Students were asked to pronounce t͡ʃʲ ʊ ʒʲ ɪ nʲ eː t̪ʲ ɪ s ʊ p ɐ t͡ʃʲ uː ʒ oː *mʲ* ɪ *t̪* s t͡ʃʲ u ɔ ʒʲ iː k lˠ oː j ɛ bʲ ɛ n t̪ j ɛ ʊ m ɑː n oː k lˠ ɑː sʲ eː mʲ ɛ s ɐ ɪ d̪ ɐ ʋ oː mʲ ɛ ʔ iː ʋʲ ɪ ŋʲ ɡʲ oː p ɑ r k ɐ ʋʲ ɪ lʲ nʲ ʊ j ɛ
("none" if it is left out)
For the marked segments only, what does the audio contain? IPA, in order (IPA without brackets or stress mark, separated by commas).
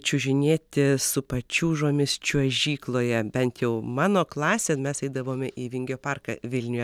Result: mʲ, none